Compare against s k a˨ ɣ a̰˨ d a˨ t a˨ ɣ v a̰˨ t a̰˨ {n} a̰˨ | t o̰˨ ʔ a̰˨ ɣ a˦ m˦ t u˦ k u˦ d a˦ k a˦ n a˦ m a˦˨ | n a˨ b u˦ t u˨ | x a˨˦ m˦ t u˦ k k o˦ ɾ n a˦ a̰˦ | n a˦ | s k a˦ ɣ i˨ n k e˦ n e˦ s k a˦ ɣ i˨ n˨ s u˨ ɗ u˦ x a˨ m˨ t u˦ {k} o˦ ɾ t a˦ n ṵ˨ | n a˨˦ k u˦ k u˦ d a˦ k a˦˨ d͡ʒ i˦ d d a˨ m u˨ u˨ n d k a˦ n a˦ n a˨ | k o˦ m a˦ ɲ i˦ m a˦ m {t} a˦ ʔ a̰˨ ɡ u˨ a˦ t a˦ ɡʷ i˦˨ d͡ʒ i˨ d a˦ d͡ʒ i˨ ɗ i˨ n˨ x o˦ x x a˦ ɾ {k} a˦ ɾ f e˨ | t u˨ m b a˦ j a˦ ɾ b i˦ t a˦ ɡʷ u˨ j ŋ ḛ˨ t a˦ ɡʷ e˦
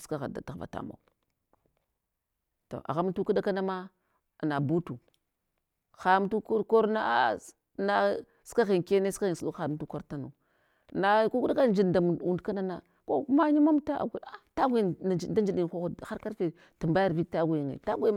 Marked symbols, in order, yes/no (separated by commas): no, yes, yes, yes